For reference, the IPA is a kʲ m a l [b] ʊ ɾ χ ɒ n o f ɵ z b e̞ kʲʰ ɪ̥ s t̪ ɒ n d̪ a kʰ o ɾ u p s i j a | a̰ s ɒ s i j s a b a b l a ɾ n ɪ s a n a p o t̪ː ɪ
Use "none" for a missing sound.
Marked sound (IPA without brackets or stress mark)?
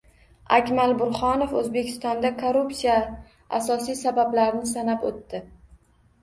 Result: b